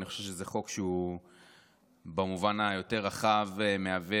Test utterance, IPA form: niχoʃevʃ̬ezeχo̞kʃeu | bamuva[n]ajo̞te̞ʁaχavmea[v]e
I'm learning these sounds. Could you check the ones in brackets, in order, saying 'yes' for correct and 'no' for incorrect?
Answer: yes, yes

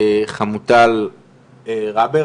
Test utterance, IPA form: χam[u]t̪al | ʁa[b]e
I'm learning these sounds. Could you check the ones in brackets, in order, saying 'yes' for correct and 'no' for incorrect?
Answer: yes, yes

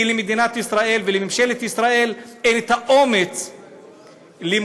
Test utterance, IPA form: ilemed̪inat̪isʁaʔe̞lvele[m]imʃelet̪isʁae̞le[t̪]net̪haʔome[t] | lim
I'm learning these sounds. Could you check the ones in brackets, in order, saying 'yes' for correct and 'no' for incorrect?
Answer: yes, no, no

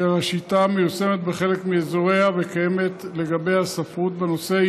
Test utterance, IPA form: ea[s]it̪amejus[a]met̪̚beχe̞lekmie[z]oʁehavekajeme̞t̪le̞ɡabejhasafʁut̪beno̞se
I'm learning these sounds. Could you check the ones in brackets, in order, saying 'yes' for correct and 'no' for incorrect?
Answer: no, no, yes

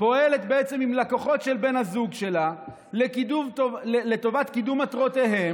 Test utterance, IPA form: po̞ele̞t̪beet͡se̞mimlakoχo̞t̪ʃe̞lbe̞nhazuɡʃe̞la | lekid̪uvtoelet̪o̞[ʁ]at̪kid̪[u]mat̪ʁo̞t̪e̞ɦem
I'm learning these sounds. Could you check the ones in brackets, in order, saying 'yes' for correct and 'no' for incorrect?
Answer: no, yes

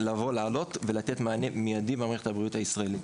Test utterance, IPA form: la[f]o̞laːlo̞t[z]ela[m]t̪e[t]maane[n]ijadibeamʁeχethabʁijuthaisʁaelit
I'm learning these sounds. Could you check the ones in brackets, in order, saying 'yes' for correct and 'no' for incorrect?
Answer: no, no, no, yes, no

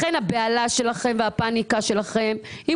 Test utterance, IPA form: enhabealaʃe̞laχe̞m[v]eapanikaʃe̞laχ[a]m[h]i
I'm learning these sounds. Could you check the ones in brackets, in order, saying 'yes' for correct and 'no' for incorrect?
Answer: yes, no, yes

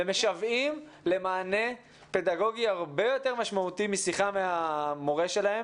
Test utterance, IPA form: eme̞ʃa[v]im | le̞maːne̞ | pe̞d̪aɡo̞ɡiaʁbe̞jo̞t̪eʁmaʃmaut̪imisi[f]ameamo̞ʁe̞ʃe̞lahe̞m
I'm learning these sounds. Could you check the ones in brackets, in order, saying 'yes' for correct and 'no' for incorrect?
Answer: yes, no

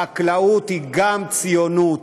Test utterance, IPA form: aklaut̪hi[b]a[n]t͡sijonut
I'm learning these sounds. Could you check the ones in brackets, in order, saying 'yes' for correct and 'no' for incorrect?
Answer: no, no

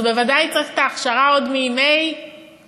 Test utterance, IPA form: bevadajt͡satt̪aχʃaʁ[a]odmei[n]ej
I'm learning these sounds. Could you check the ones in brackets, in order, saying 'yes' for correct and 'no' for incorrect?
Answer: yes, no

